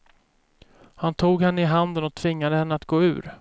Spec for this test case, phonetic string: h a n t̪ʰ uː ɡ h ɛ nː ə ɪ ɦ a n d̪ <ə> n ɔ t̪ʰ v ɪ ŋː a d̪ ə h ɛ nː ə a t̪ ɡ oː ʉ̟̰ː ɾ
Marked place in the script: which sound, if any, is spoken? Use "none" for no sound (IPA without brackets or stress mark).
ə